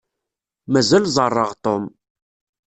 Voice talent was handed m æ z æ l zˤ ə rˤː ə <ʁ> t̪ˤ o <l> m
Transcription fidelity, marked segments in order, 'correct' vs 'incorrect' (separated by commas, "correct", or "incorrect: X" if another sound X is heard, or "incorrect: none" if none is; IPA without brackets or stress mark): correct, incorrect: none